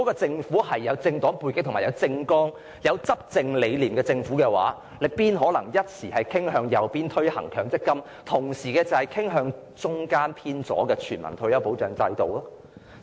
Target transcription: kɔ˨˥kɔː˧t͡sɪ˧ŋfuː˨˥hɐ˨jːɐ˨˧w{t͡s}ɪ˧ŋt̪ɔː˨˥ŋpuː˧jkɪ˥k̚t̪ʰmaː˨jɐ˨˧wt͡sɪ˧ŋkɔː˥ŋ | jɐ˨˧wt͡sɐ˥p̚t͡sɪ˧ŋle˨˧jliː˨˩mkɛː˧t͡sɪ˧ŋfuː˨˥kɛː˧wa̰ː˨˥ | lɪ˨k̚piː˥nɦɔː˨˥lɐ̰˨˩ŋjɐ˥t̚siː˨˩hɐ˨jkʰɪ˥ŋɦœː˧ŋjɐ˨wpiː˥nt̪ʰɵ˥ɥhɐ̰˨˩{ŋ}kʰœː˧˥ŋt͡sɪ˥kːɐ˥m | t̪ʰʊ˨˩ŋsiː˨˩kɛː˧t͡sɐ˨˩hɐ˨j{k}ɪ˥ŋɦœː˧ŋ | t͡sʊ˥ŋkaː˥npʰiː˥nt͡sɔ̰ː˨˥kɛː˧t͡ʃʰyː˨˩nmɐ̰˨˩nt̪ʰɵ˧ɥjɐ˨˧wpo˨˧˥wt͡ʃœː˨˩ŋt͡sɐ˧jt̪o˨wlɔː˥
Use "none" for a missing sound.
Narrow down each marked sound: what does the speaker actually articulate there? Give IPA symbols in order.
t͡s, ŋ, kʰ

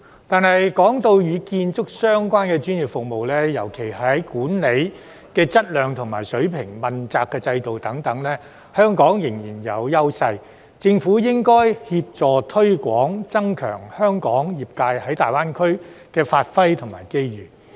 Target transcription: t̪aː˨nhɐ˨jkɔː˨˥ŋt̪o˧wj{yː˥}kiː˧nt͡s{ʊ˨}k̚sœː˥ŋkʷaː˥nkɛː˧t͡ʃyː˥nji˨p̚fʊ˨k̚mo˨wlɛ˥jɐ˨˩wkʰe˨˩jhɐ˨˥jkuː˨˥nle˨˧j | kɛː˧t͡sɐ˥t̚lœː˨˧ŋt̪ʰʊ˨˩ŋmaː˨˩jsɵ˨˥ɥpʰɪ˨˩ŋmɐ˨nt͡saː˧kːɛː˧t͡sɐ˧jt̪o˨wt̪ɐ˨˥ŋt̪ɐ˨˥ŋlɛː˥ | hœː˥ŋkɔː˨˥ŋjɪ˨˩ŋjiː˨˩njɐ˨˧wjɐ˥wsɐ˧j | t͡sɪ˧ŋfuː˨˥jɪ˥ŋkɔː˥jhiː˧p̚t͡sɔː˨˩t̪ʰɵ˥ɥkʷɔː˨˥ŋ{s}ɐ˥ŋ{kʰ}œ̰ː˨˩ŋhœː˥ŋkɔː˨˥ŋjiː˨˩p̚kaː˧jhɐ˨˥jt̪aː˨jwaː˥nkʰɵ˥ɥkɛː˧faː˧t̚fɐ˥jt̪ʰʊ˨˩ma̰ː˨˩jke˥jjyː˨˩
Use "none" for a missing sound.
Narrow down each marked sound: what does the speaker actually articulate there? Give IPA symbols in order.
yː˨˧, ʊ˥, t͡s, kʰ

